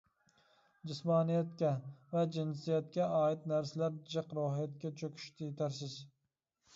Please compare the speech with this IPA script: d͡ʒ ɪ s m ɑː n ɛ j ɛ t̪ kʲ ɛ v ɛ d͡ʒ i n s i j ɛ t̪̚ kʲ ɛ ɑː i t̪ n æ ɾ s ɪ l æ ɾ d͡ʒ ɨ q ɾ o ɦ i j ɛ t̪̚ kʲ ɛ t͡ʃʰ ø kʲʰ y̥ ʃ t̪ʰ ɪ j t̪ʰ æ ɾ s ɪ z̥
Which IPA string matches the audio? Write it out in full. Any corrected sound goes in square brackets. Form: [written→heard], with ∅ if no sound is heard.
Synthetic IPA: d͡ʒ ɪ s m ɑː n [ɛ→i] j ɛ t̪ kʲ ɛ v ɛ d͡ʒ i n s i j ɛ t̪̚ kʲ ɛ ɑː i t̪ n æ ɾ s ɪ l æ ɾ d͡ʒ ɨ q ɾ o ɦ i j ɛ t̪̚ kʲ ɛ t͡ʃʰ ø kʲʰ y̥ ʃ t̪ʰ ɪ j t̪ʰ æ ɾ s ɪ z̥

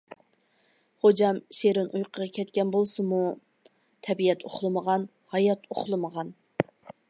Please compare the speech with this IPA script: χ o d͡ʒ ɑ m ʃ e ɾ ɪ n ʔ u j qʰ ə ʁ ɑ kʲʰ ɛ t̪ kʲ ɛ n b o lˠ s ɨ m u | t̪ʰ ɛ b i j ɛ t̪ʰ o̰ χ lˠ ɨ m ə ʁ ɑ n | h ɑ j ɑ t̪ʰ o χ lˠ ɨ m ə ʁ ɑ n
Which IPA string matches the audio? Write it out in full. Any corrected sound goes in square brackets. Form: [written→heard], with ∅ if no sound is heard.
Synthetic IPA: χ o d͡ʒ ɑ m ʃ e ɾ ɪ n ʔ u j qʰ ə ʁ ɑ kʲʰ ɛ t̪ kʲ ɛ n b o lˠ s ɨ m u | t̪ʰ ɛ b i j ɛ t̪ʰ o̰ χ lˠ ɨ m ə ʁ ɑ n | h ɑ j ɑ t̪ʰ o χ lˠ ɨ m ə ʁ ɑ n

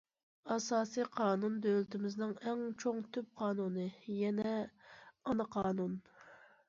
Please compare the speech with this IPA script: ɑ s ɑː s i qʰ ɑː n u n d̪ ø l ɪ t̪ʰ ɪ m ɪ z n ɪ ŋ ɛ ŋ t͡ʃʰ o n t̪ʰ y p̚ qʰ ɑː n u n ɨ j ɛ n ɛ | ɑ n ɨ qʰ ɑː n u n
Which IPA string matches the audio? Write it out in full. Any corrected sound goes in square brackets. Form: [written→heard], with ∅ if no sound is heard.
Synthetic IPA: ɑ s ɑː s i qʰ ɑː n u n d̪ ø l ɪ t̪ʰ ɪ m ɪ z n ɪ ŋ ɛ ŋ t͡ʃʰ o [n→ŋ] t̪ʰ y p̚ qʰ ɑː n u n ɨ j ɛ n ɛ | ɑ n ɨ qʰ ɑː n u n

